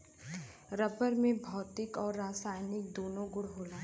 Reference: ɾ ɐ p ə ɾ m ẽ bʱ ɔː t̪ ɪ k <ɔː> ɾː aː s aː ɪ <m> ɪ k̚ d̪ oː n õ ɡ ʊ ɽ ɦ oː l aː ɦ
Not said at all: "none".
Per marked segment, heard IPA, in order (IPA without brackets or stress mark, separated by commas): ɔː, n